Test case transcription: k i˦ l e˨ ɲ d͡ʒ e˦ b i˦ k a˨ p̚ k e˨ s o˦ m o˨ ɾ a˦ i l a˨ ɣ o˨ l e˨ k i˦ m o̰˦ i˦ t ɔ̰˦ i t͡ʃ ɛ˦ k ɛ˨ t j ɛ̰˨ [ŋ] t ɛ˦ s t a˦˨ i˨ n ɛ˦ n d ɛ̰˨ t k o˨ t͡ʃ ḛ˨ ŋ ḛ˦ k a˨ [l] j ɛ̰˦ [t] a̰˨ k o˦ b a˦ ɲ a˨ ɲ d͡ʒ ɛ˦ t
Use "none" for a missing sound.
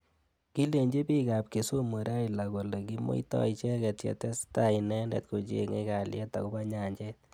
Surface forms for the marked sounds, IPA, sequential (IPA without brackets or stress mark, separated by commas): none, l, t